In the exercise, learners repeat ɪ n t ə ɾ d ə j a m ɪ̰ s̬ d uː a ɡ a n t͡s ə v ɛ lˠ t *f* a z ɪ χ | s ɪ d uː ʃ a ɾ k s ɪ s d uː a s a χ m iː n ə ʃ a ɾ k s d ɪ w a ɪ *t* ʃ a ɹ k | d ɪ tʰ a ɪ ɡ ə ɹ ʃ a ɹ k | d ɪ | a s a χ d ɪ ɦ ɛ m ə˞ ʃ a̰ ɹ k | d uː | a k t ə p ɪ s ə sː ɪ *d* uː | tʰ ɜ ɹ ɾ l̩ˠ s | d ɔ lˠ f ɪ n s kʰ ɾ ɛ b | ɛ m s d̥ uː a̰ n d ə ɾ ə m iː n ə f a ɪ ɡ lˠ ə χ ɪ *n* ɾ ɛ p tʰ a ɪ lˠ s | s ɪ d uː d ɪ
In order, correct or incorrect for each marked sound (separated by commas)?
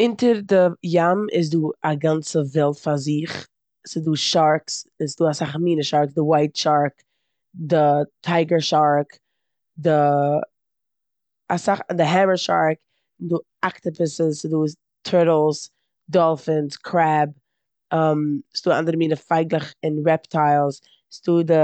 correct, correct, correct, correct